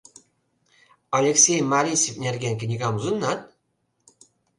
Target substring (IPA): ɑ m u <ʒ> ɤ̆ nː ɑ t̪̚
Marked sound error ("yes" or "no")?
yes